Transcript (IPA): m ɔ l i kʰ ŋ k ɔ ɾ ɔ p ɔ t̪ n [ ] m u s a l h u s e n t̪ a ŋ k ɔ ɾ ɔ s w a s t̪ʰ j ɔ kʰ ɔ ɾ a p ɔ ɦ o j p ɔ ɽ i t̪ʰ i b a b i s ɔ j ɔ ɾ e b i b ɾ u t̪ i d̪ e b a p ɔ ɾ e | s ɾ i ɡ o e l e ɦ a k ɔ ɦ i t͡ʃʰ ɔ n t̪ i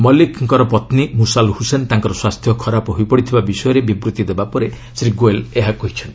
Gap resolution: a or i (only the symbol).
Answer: i